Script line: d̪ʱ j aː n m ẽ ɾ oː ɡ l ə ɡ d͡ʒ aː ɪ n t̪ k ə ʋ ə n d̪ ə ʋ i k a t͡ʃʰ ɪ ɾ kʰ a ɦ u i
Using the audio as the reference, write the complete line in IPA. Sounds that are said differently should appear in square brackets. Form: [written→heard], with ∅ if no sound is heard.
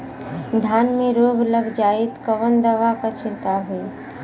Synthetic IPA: d̪ʱ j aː n m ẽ ɾ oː ɡ l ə ɡ d͡ʒ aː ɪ [n→∅] t̪ k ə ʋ ə n d̪ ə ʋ [i→a] k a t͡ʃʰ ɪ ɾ [kʰ→k] a ɦ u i